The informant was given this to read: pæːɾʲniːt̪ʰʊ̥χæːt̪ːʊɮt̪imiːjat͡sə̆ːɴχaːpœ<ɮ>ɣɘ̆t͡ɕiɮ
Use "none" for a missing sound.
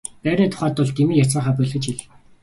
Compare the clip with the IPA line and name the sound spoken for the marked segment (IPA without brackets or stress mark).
ɮ